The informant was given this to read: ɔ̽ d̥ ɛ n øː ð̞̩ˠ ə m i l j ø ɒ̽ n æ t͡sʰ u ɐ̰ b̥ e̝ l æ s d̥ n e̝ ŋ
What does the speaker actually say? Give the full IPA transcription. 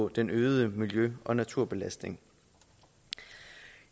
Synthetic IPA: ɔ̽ d̥ e n øː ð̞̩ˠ ə m i l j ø ɒ̽ n æ t͡sʰ u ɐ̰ b̥ e̝ l æ s d̥ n e̝ ŋ

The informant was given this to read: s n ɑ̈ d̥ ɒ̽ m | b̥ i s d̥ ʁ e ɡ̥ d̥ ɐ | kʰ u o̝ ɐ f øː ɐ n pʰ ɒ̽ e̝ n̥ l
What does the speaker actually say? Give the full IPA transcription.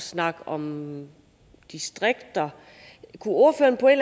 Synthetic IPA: s n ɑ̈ ɡ̥ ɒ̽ m | d̥ i s d̥ ʁ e ɡ̥ d̥ ɐ | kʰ u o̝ ɐ f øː ɐ n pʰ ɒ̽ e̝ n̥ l

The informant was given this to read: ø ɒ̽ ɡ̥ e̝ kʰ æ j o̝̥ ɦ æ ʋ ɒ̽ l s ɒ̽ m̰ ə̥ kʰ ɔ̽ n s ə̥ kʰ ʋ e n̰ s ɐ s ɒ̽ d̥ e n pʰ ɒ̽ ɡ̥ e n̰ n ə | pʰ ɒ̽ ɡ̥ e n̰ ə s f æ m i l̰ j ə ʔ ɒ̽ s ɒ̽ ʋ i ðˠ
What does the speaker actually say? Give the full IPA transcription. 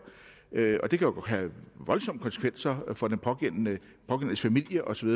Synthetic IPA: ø ɒ̽ d̥ e̝ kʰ æ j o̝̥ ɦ æ ʋ ɒ̽ l s ɒ̽ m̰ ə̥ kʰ ɒ̽ n s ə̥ kʰ ʋ e n̰ s ɐ f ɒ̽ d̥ e n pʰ ɒ̽ ɡ̥ e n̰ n ə | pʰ ɒ̽ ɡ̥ e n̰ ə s f æ m i l̰ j ə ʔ ɒ̽ s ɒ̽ ʋ i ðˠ

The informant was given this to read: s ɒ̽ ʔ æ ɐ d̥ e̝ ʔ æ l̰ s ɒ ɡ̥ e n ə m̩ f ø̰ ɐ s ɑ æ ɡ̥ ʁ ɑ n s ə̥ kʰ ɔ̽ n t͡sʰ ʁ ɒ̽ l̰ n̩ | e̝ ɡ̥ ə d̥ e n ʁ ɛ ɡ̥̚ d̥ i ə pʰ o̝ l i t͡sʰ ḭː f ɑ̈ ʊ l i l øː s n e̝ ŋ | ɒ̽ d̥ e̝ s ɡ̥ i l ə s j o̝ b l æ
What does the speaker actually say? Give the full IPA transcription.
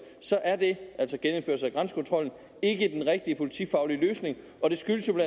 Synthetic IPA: s ɒ̽ ʔ æ ɐ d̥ e̝ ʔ æ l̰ s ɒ ɡ̥ e n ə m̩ f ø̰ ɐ s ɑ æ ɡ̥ ʁ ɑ n s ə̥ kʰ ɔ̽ n t͡sʰ ʁ ɒ̽ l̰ n̩ | e̝ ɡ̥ ə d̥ e n ʁ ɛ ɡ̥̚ d̥ i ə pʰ o̝ l i t͡sʰ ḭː f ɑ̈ ʊ l i l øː s n e̝ ŋ | ɒ̽ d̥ e̝ s ɡ̥ y l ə s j o̝ b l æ

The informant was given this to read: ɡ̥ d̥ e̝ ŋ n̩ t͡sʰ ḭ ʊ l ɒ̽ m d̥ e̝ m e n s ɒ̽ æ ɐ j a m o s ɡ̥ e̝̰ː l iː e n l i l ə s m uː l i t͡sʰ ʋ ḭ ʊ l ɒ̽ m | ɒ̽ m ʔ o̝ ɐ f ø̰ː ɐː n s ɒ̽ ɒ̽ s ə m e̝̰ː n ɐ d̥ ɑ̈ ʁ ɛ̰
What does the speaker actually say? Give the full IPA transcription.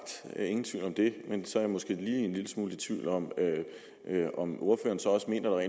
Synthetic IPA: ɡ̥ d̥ e̝ ŋ n̩ t͡sʰ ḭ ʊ l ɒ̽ m d̥ e̝ m e n s ɒ̽ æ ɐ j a m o s ɡ̥ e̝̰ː l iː e n l i l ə s m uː l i t͡sʰ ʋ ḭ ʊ l ɒ̽ m | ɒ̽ m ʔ o̝ ɐ f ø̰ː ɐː n s ɒ̽ ɒ̽ s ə m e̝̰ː n ɐ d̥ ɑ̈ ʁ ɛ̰

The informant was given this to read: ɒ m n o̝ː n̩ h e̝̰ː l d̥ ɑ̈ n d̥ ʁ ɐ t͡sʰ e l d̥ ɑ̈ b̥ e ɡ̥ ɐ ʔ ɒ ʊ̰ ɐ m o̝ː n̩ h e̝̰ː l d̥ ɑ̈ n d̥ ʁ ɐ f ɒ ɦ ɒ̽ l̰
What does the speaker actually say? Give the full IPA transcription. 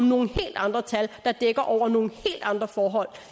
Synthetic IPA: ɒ m n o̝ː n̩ h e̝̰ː l d̥ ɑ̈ n d̥ ʁ ɐ t͡sʰ æ l d̥ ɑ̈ d̥ e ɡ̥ ɐ ʔ ɒ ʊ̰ ɐ n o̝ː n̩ h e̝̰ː l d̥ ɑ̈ n d̥ ʁ ɐ f ɒː ɦ ɒ̽ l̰

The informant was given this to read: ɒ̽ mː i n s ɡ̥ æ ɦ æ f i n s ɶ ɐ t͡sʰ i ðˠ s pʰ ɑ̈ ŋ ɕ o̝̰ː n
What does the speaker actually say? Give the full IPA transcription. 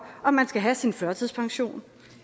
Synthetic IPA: ɒ̽ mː æ n s ɡ̥ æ ɦ æ s i n f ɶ ɐ t͡sʰ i ðˠ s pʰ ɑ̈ ŋ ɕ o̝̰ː n

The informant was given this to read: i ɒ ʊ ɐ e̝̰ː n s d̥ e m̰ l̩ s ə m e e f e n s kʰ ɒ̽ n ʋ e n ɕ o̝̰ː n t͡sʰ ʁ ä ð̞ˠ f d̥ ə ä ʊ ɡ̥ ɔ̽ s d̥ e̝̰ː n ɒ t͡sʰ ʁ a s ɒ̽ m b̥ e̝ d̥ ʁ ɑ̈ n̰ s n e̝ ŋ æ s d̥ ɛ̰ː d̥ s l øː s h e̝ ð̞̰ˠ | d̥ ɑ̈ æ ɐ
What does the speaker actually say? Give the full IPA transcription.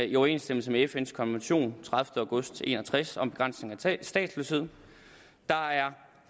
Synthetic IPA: i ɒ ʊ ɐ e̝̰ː n s d̥ e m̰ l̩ s ə m e e f e n s kʰ ɒ̽ n ʋ e n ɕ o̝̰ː n t͡sʰ ʁ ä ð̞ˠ f d̥ ə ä ʊ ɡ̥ ɔ̽ s d̥ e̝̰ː n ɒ t͡sʰ ʁ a s ɒ̽ m b̥ e̝ ɡ̥ ʁ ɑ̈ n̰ s n e̝ ŋ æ s d̥ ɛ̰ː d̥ s l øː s h e̝ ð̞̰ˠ | d̥ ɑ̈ æ ɐ

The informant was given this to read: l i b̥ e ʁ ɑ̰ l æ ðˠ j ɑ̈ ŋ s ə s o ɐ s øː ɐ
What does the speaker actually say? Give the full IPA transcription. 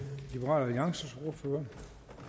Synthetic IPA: l i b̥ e ʁ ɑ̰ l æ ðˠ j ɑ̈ ŋ s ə s o ɐ f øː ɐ

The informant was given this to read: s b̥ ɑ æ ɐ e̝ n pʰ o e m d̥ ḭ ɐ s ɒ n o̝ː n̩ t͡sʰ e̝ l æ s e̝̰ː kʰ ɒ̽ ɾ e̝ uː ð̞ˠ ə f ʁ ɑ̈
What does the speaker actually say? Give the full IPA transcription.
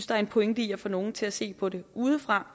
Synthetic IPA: s d̥ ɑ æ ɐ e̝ n pʰ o e ŋ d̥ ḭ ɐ f ɒ n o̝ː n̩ t͡sʰ e̝ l æ s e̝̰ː pʰ ɒ̽ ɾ e̝ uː ð̞ˠ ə f ʁ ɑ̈

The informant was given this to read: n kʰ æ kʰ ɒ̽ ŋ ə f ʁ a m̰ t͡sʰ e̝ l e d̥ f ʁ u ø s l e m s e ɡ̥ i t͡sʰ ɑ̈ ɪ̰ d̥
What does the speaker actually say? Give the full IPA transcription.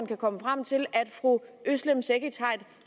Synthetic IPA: n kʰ æ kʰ ɒ̽ m ə f ʁ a m̰ t͡sʰ e̝ l æ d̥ f ʁ u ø s l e m s e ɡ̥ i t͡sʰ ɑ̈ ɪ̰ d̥

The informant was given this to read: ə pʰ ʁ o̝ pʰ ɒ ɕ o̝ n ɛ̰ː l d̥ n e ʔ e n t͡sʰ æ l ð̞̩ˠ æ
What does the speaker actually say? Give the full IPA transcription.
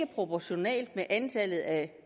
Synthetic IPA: ə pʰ ʁ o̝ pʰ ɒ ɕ o̝ n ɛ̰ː l d̥ m e ʔ æ n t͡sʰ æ l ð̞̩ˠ æ

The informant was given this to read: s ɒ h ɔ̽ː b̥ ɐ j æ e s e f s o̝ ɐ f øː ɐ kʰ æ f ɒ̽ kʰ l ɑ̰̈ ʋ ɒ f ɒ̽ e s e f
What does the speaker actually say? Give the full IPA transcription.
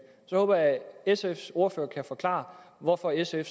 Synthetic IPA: s ɒ h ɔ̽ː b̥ ɐ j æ e s e f s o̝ ɐ f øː ɐ kʰ æ f ɒ̽ kʰ l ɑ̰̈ ʋ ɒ f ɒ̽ e s e f

